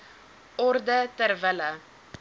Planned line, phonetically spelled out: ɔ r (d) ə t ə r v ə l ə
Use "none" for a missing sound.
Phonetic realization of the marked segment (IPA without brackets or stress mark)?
d